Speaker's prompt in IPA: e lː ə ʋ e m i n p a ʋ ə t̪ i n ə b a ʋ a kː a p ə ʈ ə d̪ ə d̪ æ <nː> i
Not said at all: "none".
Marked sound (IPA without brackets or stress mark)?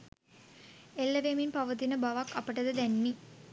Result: nː